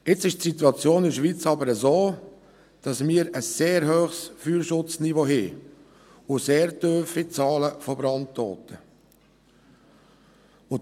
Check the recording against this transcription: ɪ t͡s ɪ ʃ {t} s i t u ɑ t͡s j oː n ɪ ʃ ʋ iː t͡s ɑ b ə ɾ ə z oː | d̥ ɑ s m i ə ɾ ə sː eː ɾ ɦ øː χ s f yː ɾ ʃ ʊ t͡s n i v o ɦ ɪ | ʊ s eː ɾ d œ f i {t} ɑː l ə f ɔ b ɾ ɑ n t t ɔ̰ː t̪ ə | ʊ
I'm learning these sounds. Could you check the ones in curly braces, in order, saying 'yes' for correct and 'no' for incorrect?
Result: yes, no

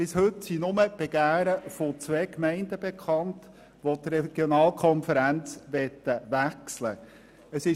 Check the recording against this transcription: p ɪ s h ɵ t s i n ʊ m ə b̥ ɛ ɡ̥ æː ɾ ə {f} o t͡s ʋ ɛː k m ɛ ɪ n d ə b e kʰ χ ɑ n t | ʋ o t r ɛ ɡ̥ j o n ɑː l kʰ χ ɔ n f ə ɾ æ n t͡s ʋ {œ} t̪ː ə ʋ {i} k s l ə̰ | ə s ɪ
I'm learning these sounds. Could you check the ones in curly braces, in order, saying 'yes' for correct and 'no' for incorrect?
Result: yes, no, no

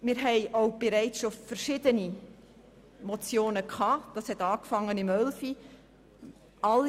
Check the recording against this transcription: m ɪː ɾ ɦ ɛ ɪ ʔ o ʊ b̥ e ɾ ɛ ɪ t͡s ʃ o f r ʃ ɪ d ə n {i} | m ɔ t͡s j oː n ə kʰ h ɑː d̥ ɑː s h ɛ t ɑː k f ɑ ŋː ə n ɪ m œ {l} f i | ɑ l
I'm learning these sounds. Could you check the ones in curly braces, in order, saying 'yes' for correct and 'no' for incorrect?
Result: yes, yes

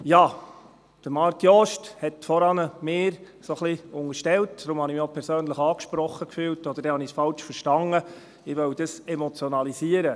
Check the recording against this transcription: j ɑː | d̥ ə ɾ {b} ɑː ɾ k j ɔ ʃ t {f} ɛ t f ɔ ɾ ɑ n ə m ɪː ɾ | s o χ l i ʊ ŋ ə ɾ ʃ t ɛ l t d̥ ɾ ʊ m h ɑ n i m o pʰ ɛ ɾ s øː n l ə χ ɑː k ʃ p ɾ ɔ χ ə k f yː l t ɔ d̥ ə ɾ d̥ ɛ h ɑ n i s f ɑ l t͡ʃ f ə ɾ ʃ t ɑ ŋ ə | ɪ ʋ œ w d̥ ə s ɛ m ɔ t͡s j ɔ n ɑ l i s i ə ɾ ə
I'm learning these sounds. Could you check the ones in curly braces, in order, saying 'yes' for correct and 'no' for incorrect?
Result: no, no

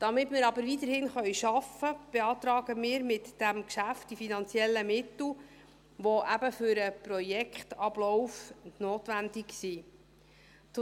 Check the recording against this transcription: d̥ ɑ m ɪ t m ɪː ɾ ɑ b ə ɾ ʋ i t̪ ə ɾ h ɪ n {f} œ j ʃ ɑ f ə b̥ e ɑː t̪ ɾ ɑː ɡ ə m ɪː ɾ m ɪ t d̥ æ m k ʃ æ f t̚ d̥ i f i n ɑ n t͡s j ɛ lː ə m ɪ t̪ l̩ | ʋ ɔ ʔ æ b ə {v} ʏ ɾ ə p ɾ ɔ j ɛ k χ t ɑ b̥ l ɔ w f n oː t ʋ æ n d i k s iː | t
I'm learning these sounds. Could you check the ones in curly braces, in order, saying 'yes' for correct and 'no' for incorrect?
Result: no, no

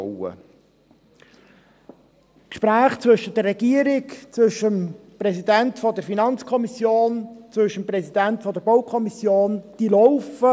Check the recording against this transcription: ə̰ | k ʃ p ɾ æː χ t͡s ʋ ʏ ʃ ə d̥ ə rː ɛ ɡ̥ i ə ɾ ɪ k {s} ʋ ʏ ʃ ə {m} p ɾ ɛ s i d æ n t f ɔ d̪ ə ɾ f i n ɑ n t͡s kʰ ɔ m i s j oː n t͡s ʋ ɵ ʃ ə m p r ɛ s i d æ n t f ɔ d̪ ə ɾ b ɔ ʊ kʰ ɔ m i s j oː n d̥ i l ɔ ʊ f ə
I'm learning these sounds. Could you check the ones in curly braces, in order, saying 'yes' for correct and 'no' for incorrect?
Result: no, yes

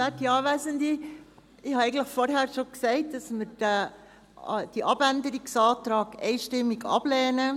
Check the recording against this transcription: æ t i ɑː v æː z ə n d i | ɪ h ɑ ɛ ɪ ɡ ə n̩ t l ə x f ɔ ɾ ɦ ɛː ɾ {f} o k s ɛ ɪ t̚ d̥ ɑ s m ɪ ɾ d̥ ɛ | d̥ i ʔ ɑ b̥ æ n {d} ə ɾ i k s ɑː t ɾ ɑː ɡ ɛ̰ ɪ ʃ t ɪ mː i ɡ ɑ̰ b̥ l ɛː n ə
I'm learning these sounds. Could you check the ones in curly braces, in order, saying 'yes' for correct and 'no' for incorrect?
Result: no, yes

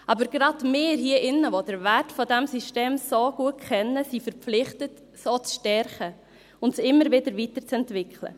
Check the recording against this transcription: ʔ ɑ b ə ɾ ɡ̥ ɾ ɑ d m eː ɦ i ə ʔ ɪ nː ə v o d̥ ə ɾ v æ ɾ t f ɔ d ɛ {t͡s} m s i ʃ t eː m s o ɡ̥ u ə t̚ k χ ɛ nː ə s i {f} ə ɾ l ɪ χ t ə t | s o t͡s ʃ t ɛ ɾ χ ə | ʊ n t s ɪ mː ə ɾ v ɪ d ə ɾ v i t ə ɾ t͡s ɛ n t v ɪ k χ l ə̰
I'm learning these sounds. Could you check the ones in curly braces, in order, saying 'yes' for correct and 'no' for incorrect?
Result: no, yes

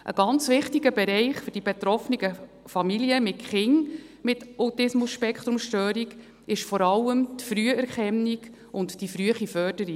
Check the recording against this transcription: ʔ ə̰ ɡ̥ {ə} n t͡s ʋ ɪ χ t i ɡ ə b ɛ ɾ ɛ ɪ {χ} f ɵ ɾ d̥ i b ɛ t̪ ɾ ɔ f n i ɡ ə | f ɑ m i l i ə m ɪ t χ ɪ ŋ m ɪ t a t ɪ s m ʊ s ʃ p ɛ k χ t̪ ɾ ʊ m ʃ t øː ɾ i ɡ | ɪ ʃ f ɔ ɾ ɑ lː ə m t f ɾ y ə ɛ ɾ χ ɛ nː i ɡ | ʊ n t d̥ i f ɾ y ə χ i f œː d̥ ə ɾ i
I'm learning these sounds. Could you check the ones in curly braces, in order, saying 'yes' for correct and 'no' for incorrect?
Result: no, yes

